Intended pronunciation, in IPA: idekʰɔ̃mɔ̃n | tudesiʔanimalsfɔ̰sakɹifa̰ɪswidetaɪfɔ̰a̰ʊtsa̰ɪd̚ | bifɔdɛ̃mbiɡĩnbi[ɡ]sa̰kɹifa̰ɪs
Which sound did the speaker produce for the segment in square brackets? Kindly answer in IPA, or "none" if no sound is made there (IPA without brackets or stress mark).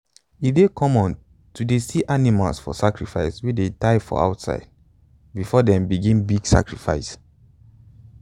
ɡ